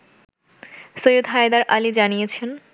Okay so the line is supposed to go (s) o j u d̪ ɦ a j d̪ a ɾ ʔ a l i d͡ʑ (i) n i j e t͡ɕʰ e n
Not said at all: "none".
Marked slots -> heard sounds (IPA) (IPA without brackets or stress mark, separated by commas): s, a